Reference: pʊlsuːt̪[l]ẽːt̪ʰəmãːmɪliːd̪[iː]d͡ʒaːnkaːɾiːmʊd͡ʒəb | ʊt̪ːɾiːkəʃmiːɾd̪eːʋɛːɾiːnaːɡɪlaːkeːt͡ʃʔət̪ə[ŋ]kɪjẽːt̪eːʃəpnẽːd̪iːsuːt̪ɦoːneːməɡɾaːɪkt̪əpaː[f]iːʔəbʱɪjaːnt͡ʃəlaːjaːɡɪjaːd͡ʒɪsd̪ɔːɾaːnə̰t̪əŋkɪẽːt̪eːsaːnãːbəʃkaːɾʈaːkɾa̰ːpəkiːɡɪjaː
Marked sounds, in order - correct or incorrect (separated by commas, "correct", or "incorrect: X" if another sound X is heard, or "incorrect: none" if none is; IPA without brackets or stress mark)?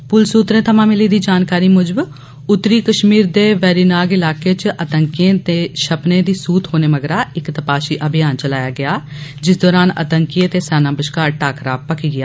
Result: incorrect: ɾ, correct, correct, incorrect: ʃ